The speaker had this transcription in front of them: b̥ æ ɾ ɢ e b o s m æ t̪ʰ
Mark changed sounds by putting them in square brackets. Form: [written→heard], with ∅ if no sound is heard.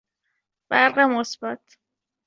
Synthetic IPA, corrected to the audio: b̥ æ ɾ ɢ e [b→m] o s [m→b] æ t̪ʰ